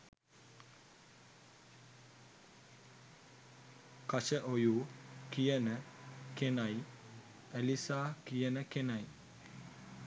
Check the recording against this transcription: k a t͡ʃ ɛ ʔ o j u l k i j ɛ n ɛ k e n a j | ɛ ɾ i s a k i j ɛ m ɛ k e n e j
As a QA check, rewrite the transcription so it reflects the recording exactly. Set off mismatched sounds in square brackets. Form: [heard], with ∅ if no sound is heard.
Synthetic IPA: k a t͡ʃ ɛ ʔ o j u [∅] k i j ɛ n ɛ k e n a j | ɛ [l] i s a k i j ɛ [n] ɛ k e n [a] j